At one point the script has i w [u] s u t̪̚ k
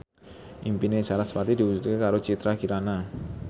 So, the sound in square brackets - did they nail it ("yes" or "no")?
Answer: yes